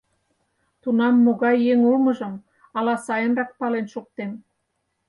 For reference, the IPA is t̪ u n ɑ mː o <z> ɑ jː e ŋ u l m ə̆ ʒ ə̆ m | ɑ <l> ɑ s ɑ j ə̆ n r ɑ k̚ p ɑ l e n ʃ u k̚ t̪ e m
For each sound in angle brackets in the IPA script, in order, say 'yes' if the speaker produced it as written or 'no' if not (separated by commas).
no, yes